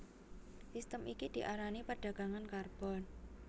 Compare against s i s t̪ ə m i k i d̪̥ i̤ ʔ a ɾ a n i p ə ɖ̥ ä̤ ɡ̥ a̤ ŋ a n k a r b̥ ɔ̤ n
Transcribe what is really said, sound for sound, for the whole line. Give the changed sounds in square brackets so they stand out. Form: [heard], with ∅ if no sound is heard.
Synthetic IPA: s i s t̪ ə m i k i d̪̥ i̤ ʔ a ɾ a n i p ə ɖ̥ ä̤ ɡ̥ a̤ ŋ a n k a r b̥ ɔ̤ n

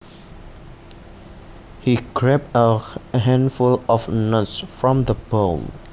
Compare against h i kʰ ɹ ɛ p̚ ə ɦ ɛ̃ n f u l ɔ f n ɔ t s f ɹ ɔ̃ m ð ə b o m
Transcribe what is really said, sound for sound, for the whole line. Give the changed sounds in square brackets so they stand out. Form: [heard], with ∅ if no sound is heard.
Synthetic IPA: h i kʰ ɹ ɛ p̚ ə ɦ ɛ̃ n f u l ɔ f n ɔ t s f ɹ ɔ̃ m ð ə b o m

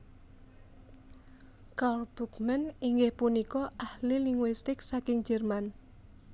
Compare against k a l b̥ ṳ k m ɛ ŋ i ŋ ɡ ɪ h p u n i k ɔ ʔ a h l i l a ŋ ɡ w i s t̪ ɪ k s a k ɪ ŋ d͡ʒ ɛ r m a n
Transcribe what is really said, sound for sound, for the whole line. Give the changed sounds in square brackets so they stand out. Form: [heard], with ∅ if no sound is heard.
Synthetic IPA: k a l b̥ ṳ k m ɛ [n] i ŋ ɡ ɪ h p u n i k ɔ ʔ a h l i l [i] ŋ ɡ w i s t̪ ɪ k s a k ɪ ŋ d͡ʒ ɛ r m a n

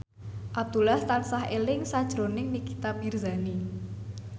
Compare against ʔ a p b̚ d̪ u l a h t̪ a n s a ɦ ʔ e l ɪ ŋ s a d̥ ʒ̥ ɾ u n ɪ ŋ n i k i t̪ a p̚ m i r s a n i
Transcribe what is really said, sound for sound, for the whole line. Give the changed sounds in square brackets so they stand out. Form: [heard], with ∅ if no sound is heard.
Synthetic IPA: ʔ a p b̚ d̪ u l a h t̪ a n s a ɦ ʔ e l ɪ ŋ s a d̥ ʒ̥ ɾ [o] n ɪ ŋ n i k i t̪ a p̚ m i r [z] a n i

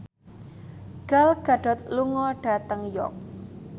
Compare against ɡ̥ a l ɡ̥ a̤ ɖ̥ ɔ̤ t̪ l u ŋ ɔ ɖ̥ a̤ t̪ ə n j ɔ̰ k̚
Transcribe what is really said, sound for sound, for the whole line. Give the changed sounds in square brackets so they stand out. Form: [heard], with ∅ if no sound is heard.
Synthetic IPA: ɡ̥ a l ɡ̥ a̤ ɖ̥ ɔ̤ t̪ l u ŋ ɔ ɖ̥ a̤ t̪ ə [ŋ] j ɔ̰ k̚

